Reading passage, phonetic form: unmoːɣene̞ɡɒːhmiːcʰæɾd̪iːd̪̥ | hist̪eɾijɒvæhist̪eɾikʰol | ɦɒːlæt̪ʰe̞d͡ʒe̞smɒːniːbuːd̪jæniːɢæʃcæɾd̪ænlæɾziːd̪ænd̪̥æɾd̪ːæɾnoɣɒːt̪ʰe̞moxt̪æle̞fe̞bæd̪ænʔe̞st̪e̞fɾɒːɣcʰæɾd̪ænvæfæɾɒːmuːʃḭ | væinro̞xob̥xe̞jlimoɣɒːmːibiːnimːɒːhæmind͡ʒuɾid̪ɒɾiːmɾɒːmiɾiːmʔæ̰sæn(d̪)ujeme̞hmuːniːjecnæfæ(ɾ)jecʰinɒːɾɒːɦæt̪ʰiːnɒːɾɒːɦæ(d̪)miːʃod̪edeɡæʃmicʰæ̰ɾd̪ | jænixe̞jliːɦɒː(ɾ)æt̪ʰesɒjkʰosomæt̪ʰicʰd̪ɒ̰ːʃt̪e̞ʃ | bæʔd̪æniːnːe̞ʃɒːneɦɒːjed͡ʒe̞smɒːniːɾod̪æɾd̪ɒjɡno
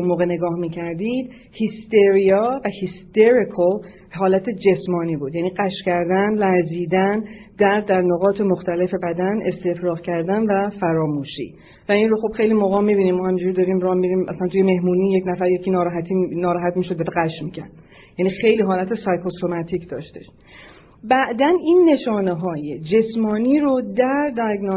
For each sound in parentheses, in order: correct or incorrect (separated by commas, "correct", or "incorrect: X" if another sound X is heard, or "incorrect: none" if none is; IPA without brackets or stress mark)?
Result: incorrect: t̪, correct, incorrect: t̪, incorrect: l